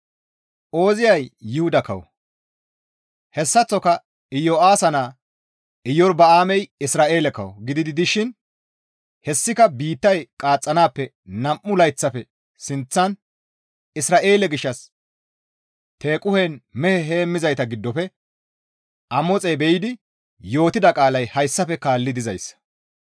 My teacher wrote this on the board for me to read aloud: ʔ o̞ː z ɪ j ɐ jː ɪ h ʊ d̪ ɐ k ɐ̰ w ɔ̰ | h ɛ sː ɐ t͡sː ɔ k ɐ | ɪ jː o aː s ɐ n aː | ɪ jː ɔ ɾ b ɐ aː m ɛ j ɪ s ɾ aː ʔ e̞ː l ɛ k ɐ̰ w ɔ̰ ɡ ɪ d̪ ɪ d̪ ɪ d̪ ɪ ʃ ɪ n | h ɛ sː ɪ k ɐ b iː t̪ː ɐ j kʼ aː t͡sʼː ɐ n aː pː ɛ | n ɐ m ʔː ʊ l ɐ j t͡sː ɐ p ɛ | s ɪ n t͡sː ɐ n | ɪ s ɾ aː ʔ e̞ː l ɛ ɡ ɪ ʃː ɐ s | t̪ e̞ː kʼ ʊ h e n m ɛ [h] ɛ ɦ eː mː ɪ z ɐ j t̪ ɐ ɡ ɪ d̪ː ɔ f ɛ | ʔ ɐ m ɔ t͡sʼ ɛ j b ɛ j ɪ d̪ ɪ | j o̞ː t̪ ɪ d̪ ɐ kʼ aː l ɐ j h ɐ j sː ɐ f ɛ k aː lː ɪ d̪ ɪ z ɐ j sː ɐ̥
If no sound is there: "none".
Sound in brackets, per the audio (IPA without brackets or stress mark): h